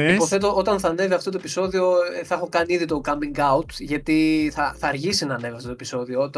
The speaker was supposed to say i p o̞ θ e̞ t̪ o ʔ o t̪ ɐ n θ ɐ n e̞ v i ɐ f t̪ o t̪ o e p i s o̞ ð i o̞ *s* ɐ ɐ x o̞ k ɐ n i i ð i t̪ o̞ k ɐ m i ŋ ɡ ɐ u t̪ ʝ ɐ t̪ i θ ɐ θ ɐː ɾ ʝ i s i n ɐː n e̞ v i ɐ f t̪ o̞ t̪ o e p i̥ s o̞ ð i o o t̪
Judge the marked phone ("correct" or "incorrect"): incorrect